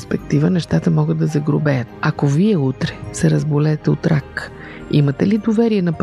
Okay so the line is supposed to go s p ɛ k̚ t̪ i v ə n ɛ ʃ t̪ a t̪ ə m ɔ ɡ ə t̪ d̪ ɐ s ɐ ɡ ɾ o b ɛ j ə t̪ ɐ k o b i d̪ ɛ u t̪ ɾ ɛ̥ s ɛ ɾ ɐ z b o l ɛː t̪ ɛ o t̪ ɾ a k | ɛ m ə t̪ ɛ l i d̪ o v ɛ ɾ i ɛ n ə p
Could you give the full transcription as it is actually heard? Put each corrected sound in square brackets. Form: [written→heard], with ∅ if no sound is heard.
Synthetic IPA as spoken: s p ɛ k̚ t̪ i v ə n ɛ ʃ t̪ a t̪ ə m ɔ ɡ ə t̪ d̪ ɐ [s→z] ɐ ɡ ɾ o b ɛ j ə t̪ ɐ k o [b→v] i [d̪→∅] ɛ u t̪ ɾ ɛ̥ s ɛ ɾ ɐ z b o l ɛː t̪ ɛ o t̪ ɾ a k | [ɛ→i] m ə t̪ ɛ l i d̪ o v ɛ ɾ i ɛ n [ə→ɐ] p